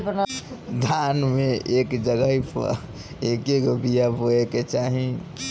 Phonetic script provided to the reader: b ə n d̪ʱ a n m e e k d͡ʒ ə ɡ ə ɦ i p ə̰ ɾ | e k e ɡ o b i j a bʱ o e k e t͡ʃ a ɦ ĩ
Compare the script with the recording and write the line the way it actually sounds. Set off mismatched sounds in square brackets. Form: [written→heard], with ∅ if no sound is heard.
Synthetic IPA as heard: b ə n d̪ʱ a n m e e k d͡ʒ ə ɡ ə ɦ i p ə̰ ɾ | e k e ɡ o b i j a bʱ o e k e t͡ʃ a ɦ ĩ